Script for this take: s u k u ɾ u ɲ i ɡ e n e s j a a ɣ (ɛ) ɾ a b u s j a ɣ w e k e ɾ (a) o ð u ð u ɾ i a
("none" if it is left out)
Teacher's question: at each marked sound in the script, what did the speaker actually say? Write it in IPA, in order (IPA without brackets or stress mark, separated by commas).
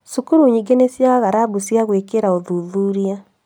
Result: a, a